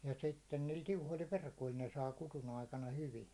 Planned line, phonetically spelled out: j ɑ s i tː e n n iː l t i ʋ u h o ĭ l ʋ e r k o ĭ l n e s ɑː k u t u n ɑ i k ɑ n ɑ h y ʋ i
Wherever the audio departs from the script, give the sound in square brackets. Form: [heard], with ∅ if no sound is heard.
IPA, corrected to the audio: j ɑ s i tː e n n iː l t i [∅] u h o ĭ l ʋ e r k o ĭ l n e s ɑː k u t u n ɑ i k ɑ n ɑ h y ʋ i